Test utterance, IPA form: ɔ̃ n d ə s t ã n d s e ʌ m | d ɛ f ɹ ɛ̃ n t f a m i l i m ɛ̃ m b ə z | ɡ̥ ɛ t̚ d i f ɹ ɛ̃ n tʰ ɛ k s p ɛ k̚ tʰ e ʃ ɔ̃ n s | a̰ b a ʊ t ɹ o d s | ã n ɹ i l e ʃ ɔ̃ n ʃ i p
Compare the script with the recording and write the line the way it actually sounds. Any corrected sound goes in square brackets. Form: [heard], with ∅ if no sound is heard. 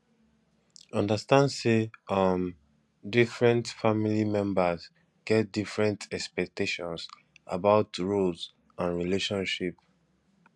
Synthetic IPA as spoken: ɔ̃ n d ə s t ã n d s e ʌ m | d [i] f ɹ ɛ̃ n t f a m i l i m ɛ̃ m b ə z | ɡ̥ ɛ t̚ d i f ɹ ɛ̃ n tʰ ɛ k s p ɛ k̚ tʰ e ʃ ɔ̃ n s | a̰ b a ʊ t ɹ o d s | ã n ɹ i l e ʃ ɔ̃ n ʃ i p